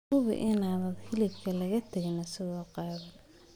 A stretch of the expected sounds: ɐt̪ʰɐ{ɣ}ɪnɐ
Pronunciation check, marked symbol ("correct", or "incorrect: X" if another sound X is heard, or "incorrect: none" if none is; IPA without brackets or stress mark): correct